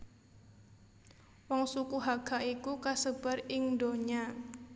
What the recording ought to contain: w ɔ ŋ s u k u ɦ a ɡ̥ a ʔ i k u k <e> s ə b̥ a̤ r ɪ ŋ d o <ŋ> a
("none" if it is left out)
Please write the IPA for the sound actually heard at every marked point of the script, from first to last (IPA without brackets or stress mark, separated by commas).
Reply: a, ɲ